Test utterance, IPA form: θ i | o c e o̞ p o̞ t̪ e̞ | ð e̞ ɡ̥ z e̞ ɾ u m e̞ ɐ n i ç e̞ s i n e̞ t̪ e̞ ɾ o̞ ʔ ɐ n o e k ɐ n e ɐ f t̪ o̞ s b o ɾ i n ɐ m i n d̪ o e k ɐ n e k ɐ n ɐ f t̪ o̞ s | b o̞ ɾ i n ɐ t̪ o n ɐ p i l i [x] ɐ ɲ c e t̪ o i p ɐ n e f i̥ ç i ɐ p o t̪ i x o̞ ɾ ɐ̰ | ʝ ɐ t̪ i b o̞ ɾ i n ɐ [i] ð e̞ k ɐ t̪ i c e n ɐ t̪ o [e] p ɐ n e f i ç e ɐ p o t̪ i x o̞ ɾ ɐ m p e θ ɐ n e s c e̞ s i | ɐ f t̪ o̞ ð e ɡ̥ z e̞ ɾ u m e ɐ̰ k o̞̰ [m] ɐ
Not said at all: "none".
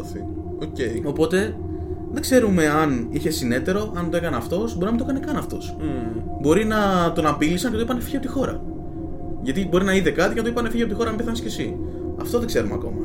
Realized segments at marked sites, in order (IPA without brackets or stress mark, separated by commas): s, i, i, m